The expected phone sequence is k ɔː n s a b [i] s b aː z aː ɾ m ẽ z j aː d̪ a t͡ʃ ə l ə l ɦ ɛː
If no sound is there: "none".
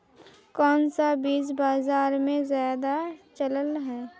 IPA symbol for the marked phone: iː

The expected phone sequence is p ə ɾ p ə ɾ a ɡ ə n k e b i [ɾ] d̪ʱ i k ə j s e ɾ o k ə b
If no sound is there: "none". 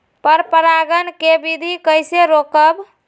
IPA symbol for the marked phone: none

